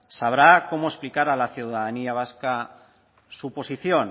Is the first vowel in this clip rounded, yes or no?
no